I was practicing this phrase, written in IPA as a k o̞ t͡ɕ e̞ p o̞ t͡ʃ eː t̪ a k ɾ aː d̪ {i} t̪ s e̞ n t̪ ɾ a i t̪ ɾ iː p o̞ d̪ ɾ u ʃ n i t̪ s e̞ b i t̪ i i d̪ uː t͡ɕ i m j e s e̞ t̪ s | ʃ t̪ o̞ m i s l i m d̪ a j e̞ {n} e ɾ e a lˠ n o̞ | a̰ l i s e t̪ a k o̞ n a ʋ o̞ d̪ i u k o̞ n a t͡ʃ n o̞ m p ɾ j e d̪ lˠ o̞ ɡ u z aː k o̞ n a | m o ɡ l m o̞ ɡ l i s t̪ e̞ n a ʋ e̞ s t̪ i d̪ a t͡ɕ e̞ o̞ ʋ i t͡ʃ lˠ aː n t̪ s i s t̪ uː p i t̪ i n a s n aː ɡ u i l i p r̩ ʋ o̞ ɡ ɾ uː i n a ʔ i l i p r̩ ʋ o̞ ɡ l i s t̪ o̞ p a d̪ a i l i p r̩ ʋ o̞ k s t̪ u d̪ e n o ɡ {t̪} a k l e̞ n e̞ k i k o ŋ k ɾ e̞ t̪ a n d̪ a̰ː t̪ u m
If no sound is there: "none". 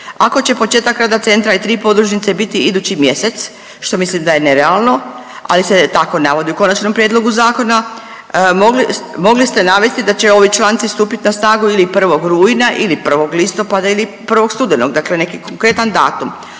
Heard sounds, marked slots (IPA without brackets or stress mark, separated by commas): a, n, d̪